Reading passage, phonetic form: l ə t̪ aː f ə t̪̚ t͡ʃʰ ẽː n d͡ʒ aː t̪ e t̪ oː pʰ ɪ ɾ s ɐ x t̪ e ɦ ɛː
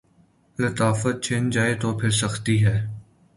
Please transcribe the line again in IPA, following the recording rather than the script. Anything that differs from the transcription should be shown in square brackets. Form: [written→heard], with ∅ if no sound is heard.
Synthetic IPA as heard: l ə t̪ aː f ə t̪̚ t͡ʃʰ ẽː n d͡ʒ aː [t̪→∅] e t̪ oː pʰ ɪ ɾ s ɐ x t̪ [e→i] ɦ ɛː